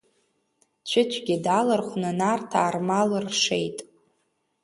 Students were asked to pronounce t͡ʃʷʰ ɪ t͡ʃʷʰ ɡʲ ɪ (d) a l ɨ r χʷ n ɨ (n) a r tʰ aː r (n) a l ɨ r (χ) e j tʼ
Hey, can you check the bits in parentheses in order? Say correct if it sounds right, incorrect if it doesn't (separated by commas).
correct, correct, incorrect, incorrect